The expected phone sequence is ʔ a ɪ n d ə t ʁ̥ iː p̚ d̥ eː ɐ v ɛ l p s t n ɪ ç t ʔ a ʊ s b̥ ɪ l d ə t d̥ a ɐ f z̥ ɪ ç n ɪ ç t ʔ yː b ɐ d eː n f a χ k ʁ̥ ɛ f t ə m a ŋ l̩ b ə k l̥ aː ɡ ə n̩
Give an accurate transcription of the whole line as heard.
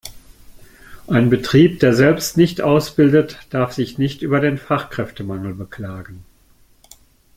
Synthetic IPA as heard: ʔ a ɪ n b ə t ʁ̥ iː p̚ d̥ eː ɐ z ɛ l p s t n ɪ ç t ʔ a ʊ s b̥ ɪ l d ə t d̥ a ɐ f z̥ ɪ ç n ɪ ç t ʔ yː b ɐ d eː n f a χ k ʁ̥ ɛ f t ə m a ŋ l̩ b ə k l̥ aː ɡ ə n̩